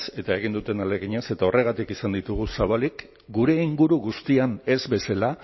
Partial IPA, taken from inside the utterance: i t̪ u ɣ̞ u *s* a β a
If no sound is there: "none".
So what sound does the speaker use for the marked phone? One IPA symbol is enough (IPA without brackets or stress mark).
s